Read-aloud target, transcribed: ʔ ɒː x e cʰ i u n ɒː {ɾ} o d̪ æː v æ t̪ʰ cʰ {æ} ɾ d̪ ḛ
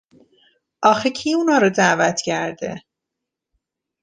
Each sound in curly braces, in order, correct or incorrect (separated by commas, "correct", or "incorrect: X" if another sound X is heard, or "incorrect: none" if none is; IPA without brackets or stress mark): correct, correct